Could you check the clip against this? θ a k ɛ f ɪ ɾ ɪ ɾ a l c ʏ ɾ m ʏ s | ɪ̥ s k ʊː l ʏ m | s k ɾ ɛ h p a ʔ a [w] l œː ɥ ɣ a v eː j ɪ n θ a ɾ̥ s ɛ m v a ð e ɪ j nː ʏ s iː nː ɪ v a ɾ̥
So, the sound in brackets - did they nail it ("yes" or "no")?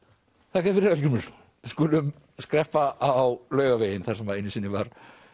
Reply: yes